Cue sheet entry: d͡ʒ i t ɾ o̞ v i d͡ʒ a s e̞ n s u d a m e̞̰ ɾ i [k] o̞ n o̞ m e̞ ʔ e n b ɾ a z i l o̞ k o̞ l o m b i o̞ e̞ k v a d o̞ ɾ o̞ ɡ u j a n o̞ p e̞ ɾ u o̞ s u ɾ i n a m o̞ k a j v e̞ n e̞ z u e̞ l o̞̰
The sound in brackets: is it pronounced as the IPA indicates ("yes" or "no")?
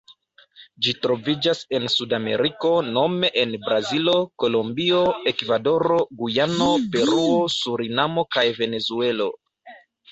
yes